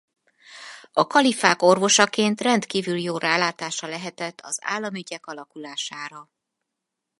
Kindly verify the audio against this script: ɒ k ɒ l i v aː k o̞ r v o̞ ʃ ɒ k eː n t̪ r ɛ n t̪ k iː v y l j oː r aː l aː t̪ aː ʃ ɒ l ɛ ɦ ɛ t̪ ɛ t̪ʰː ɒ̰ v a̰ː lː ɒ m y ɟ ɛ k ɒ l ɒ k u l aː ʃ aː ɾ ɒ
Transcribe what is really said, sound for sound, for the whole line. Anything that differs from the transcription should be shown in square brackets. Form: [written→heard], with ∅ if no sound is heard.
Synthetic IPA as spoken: ɒ k ɒ l i [v→f] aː k o̞ r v o̞ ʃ ɒ k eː n t̪ r ɛ n t̪ k iː v y l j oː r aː l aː t̪ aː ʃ ɒ l ɛ ɦ ɛ t̪ ɛ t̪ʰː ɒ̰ [v→z] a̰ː lː ɒ m y ɟ ɛ k ɒ l ɒ k u l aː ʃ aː ɾ ɒ